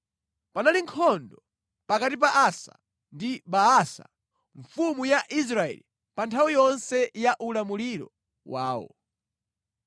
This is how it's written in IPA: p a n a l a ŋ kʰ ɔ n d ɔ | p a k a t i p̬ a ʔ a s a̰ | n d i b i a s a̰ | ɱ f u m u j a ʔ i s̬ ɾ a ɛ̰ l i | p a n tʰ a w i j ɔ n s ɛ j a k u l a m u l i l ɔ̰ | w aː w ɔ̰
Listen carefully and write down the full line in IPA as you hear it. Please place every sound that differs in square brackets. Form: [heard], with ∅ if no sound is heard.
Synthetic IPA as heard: p a n a l [i] ŋ kʰ ɔ n d ɔ | p a k a t i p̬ a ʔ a s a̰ | n d i b [a] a s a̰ | ɱ f u m u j a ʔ i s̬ ɾ a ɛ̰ l i | p a n tʰ a w i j ɔ n s ɛ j a [ʔ] u l a m u l i [ɾ] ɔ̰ | w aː w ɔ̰